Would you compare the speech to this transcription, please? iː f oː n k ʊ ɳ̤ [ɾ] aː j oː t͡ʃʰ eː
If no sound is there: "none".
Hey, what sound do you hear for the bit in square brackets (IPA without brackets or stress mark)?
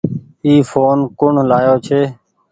l